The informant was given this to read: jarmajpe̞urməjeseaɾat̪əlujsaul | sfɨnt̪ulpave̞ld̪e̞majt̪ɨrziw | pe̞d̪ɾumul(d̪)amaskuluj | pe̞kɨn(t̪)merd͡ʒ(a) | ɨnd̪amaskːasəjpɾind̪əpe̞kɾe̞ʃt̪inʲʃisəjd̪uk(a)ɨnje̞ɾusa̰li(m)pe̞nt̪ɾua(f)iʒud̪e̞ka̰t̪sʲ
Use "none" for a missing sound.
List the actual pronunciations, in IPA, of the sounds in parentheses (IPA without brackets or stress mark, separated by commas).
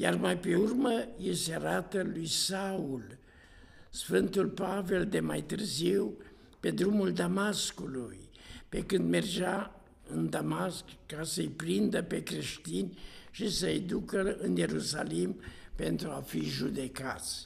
d̪, d̪, a, ə, m, f